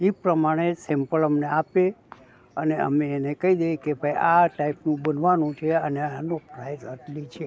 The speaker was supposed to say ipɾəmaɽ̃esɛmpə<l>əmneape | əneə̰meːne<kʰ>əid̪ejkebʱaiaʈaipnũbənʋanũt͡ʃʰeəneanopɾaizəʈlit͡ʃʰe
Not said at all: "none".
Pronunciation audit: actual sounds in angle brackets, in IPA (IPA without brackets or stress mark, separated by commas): l, k